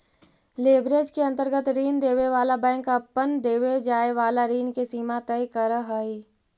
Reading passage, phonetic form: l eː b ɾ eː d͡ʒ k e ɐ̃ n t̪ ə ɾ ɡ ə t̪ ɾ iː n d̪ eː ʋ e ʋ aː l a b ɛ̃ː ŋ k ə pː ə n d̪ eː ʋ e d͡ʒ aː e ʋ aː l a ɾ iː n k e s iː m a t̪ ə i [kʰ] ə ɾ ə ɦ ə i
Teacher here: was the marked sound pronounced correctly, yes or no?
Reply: no